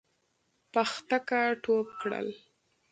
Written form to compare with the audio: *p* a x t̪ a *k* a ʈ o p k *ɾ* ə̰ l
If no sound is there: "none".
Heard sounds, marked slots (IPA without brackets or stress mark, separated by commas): p, k, ɽ